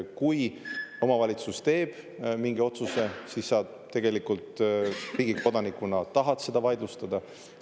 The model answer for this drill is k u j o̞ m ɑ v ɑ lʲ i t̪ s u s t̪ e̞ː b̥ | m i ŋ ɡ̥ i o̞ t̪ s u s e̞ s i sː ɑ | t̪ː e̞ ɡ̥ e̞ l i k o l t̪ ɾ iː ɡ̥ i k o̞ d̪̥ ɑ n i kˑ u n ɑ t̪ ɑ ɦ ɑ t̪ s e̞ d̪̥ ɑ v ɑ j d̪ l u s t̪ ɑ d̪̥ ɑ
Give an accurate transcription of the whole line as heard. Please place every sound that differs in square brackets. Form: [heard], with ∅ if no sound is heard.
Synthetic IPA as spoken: k u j o̞ m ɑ v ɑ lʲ i t̪ s u s t̪ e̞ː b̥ | m i ŋ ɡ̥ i o̞ t̪ s u s e̞ s i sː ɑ | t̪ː e̞ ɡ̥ e̞ l i k [u] l t̪ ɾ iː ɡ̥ i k o̞ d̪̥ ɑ n i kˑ u n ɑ t̪ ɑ ɦ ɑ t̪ s e̞ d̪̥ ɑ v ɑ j d̪ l u s t̪ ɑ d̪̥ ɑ